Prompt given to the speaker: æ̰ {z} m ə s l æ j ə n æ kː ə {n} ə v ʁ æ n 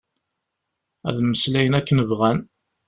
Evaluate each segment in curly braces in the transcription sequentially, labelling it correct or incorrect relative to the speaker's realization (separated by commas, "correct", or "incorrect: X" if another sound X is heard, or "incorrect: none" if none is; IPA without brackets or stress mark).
incorrect: ð, correct